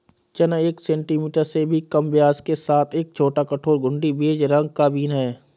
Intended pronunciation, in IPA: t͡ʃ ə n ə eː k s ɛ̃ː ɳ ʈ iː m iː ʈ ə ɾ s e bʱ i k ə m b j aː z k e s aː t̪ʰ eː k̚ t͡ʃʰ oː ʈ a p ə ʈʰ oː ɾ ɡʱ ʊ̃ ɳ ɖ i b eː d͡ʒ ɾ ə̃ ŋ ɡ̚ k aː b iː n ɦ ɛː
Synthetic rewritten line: t͡ʃ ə n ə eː k s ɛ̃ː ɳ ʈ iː m iː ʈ ə ɾ s e bʱ i k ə m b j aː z k e s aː t̪ʰ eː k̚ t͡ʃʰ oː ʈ a k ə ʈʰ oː ɾ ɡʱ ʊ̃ ɳ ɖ i b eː d͡ʒ ɾ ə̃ ŋ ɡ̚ k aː b iː n ɦ ɛː